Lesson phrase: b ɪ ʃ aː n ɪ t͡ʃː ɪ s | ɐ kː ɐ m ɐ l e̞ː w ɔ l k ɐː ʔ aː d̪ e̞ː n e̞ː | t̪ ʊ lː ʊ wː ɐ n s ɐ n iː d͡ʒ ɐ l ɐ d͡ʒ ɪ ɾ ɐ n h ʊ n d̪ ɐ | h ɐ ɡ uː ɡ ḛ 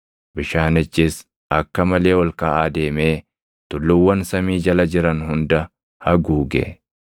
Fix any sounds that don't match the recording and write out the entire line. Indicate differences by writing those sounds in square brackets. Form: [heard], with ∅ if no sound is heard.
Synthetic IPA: b ɪ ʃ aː n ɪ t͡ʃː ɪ s | ɐ kː ɐ m ɐ l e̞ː w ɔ l k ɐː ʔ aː d̪ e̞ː [m] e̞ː | t̪ ʊ lː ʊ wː ɐ n s ɐ [m] iː d͡ʒ ɐ l ɐ d͡ʒ ɪ ɾ ɐ n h ʊ n d̪ ɐ | h ɐ ɡ uː ɡ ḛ

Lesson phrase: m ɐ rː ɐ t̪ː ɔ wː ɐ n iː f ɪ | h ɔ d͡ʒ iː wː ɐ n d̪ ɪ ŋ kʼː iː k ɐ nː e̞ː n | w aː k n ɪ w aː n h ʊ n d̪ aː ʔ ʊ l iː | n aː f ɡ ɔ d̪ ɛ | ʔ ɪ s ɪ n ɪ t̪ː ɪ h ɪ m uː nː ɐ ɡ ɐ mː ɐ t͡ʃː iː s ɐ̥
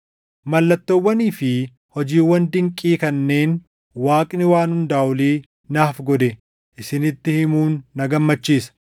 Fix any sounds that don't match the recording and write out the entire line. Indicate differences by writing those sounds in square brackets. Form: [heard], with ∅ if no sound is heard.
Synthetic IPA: m ɐ [lː] ɐ t̪ː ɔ wː ɐ n iː f ɪ | h ɔ d͡ʒ iː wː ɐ n d̪ ɪ ŋ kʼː iː k ɐ nː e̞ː n | w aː [kʼ] n ɪ w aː n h ʊ n d̪ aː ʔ ʊ l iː | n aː f ɡ ɔ d̪ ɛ | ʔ ɪ s ɪ n ɪ t̪ː ɪ h ɪ m uː nː ɐ ɡ ɐ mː ɐ t͡ʃː iː s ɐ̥

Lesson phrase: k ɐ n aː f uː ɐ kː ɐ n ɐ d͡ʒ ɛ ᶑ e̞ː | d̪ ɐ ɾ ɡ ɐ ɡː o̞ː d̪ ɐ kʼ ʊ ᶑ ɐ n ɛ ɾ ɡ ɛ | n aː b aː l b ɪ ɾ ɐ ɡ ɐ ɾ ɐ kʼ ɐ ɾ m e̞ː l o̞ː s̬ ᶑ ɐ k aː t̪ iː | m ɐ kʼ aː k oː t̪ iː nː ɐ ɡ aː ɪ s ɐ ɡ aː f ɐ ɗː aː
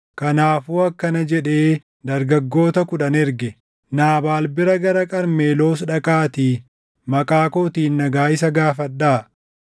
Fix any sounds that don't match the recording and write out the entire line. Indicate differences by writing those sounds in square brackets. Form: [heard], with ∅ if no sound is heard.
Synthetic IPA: k ɐ n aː f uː ɐ kː ɐ n ɐ d͡ʒ ɛ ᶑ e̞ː | d̪ ɐ ɾ ɡ ɐ ɡː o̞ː [t̪] ɐ [k] ʊ ᶑ ɐ n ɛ ɾ ɡ ɛ | n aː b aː l b ɪ ɾ ɐ ɡ ɐ ɾ ɐ kʼ ɐ ɾ m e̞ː l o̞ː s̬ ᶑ ɐ [kʼ] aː t̪ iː | m ɐ kʼ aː k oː t̪ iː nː ɐ ɡ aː ɪ s ɐ ɡ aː f ɐ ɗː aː

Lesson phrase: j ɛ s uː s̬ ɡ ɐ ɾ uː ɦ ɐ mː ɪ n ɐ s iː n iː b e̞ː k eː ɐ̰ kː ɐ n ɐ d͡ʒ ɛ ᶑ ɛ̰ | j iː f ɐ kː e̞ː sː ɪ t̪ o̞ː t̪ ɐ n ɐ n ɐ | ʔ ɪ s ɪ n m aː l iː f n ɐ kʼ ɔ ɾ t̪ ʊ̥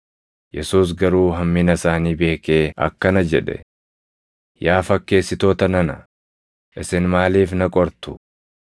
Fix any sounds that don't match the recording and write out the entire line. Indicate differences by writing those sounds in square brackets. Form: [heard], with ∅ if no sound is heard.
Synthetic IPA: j ɛ s uː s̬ ɡ ɐ ɾ uː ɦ ɐ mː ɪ n ɐ s [aː] n iː b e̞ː k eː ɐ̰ kː ɐ n ɐ d͡ʒ ɛ ᶑ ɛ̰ | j [aː] f ɐ kː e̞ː sː ɪ t̪ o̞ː t̪ ɐ n ɐ n ɐ | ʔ ɪ s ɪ n m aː l iː f n ɐ kʼ ɔ ɾ t̪ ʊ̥

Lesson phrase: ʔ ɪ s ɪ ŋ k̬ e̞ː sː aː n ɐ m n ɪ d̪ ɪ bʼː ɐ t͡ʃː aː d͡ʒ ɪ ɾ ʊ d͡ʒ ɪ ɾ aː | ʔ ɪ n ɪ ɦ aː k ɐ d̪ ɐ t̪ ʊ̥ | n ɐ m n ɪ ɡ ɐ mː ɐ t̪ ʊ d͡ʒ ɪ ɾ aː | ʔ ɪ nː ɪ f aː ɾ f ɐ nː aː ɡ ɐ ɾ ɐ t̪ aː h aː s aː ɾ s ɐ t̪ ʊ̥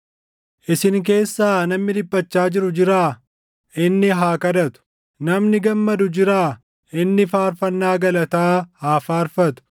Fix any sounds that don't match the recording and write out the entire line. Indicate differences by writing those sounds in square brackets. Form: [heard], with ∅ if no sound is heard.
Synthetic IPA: ʔ ɪ s ɪ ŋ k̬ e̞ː sː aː n ɐ m n ɪ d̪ ɪ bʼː ɐ t͡ʃː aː d͡ʒ ɪ ɾ ʊ d͡ʒ ɪ ɾ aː | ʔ ɪ [nː] ɪ ɦ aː k ɐ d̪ ɐ t̪ ʊ̥ | n ɐ m n ɪ ɡ ɐ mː ɐ [d̪] ʊ d͡ʒ ɪ ɾ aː | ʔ ɪ nː ɪ f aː ɾ f ɐ nː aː ɡ ɐ [l] ɐ t̪ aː h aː [f] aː ɾ [f] ɐ t̪ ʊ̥

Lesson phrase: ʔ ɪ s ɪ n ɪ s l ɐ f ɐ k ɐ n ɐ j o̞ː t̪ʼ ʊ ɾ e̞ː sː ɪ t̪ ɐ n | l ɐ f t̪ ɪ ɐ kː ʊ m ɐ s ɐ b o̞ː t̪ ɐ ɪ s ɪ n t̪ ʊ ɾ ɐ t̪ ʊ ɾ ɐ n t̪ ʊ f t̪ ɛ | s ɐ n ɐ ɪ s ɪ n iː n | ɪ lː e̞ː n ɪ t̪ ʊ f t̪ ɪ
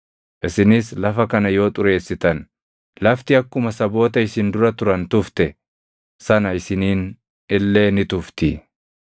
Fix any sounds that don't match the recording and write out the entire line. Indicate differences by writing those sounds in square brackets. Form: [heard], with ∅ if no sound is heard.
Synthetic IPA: ʔ ɪ s ɪ n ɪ s l ɐ f ɐ k ɐ n ɐ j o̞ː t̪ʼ ʊ ɾ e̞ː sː ɪ t̪ ɐ n | l ɐ f t̪ ɪ ɐ kː ʊ m ɐ s ɐ b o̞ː t̪ ɐ ɪ s ɪ n [d̪] ʊ ɾ ɐ t̪ ʊ ɾ ɐ n t̪ ʊ f t̪ ɛ | s ɐ n ɐ ɪ s ɪ n iː n | ɪ lː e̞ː n ɪ t̪ ʊ f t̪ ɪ

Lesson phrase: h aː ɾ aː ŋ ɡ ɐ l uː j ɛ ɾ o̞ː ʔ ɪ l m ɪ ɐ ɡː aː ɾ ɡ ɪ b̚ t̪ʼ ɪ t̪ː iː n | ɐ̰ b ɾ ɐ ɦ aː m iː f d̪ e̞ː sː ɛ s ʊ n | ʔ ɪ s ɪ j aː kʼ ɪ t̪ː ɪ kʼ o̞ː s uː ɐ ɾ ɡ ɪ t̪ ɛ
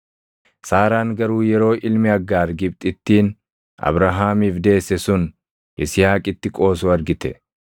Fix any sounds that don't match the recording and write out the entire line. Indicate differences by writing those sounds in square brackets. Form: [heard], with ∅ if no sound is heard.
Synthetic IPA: [s] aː ɾ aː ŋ ɡ ɐ [ɾ] uː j ɛ ɾ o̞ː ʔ ɪ l m ɪ ɐ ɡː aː ɾ ɡ ɪ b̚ t̪ʼ ɪ t̪ː iː n | ɐ̰ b ɾ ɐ ɦ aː m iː f d̪ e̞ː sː ɛ s ʊ n | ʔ ɪ s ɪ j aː kʼ ɪ t̪ː ɪ kʼ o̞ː s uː ɐ ɾ ɡ ɪ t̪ ɛ

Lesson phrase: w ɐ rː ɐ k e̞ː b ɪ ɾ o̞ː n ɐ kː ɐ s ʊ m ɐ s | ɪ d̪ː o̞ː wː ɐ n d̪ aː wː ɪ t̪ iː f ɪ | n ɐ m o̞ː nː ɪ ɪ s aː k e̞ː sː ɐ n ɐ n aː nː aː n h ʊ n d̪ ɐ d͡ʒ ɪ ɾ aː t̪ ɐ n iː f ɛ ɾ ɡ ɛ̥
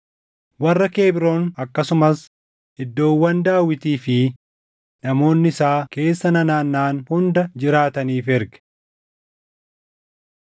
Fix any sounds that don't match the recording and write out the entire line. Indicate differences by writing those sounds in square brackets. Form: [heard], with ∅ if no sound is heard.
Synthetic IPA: w ɐ rː ɐ k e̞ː b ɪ ɾ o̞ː n ɐ kː ɐ s ʊ m ɐ s | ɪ d̪ː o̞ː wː ɐ n d̪ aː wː ɪ t̪ iː f ɪ | n ɐ m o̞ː nː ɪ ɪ s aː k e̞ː sː ɐ n ɐ n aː nː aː n h ʊ n d̪ ɐ d͡ʒ ɪ ɾ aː t̪ ɐ n iː f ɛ ɾ ɡ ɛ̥

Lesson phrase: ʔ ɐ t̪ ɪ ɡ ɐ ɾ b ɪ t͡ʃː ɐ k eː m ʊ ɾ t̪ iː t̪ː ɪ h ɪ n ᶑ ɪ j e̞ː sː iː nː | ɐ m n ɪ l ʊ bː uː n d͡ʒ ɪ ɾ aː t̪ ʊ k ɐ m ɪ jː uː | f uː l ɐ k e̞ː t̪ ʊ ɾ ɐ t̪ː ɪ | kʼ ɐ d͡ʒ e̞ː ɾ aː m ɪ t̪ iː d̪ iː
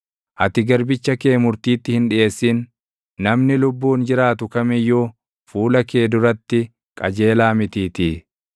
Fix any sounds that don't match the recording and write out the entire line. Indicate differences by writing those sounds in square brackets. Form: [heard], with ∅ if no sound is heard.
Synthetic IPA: ʔ ɐ t̪ ɪ ɡ ɐ ɾ b ɪ t͡ʃː ɐ k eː m ʊ ɾ t̪ iː t̪ː ɪ h ɪ n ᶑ ɪ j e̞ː sː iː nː | ɐ m n ɪ l ʊ bː uː n d͡ʒ ɪ ɾ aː t̪ ʊ k ɐ m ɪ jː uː | f uː l ɐ k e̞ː [d̪] ʊ ɾ ɐ t̪ː ɪ | kʼ ɐ d͡ʒ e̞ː [l] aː m ɪ t̪ iː [t̪] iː

